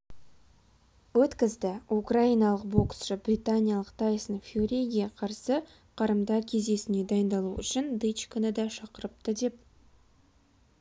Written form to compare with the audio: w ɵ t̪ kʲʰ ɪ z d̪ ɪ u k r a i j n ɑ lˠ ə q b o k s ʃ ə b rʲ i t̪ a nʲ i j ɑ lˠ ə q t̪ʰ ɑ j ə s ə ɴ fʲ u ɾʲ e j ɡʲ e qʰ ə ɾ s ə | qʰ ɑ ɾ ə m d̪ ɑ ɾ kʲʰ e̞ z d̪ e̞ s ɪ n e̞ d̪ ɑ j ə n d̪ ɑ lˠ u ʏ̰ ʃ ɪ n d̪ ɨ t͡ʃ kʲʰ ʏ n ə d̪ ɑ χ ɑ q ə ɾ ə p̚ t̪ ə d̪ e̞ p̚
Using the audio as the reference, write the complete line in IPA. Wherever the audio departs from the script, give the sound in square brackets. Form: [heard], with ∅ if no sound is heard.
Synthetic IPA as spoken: w ɵ t̪ [kʲ] ɪ z d̪ ɪ u k r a i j n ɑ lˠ ə q b o k s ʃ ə b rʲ i t̪ a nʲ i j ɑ lˠ ə q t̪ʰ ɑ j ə s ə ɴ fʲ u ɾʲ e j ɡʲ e qʰ [ɑ] ɾ s ə | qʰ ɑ ɾ ə m d̪ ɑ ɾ kʲʰ e̞ z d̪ e̞ s ɪ n e̞ d̪ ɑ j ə n d̪ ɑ lˠ u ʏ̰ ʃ ɪ n d̪ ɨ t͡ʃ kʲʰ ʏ n ə d̪ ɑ [ʃ] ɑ q ə ɾ ə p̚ t̪ ə d̪ e̞ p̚